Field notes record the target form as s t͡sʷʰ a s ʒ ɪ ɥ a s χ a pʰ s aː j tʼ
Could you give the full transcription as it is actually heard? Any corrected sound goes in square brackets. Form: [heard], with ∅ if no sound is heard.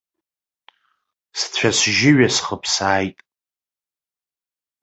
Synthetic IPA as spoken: s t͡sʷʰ a s ʒ ɪ ɥ a s χ [ə] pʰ s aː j tʼ